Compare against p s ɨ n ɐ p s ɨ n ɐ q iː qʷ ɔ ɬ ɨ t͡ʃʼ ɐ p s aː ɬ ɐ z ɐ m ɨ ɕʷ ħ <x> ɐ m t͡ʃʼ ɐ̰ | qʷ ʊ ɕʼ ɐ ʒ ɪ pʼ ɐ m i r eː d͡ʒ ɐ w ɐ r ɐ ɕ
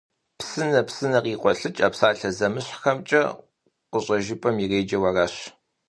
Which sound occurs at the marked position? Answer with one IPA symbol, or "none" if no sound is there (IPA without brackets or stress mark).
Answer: x